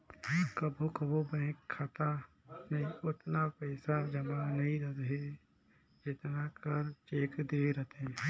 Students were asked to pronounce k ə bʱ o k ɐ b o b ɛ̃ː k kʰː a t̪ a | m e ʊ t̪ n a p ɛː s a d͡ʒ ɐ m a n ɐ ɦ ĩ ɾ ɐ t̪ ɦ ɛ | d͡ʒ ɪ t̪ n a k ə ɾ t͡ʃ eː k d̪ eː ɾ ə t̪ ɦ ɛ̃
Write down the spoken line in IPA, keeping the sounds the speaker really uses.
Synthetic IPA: k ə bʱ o k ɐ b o b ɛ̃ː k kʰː a t̪ a | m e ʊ t̪ n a p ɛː s a d͡ʒ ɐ m a n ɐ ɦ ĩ ɾ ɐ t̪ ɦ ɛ | d͡ʒ ɪ t̪ n a k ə ɾ t͡ʃ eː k d̪ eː ɾ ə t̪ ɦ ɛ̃